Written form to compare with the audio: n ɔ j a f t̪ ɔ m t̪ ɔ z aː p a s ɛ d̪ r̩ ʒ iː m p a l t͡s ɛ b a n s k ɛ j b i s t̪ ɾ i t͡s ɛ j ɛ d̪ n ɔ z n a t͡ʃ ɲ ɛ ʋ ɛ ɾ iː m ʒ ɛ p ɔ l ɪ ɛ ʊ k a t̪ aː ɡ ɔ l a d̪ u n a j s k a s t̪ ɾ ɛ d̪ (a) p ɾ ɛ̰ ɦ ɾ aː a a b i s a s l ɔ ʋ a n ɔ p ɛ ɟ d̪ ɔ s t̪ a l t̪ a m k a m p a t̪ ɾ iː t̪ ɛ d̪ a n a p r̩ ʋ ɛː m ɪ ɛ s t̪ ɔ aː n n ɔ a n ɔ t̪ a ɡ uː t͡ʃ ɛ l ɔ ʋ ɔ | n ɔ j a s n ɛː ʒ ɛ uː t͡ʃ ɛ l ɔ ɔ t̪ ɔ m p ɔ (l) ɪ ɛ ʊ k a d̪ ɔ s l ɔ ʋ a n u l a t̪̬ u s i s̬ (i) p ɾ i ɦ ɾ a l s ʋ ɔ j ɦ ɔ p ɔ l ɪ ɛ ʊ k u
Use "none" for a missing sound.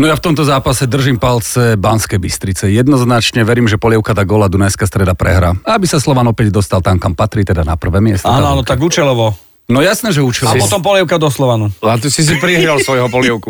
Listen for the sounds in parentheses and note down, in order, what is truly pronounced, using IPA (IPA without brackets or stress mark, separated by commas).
a, l, i